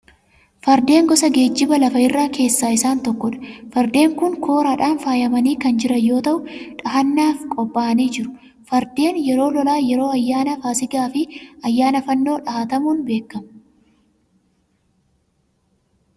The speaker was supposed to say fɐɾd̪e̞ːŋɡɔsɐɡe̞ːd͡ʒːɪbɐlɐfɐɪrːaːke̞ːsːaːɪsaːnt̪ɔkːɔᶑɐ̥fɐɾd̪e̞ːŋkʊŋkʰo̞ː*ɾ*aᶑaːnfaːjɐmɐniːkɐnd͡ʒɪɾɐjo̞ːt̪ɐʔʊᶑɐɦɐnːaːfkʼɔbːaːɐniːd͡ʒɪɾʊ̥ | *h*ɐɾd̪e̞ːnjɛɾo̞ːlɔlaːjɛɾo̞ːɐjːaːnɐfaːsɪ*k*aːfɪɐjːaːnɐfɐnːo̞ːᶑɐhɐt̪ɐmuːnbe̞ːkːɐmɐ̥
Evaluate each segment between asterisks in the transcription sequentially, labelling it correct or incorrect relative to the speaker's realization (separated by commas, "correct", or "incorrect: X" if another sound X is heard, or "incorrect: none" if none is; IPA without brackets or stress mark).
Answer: correct, incorrect: f, incorrect: ɡ